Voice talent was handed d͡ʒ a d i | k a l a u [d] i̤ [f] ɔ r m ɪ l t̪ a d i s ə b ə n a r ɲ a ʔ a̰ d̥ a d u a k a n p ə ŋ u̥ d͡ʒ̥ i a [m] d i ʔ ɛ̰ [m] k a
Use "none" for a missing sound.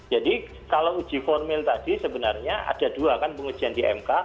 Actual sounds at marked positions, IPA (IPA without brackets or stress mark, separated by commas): d͡ʒ, f, n, m